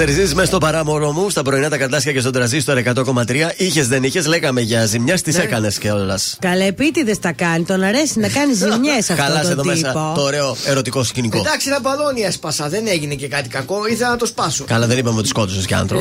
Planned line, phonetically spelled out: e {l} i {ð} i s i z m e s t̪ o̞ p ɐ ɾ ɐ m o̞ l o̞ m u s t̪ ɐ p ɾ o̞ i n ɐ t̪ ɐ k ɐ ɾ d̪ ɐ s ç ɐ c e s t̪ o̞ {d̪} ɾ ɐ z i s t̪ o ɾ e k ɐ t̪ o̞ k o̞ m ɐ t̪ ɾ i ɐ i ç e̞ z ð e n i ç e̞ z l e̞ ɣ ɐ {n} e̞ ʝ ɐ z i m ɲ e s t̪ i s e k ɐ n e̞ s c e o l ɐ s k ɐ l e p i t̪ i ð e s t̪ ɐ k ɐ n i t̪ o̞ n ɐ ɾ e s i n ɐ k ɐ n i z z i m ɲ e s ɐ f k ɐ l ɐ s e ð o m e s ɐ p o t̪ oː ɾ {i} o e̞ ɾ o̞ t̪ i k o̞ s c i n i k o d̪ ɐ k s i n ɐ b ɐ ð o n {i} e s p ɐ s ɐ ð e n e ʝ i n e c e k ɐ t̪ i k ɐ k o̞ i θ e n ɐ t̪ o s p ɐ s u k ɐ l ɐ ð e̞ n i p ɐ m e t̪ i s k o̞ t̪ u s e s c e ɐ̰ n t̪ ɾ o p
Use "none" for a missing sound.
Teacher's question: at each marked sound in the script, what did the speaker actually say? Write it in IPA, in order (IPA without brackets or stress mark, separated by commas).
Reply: ɾ, z, d̪, m, e, i